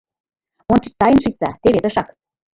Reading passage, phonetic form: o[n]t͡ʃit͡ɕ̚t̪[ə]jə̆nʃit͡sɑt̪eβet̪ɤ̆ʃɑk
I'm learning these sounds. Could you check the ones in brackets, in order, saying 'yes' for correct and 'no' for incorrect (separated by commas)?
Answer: yes, no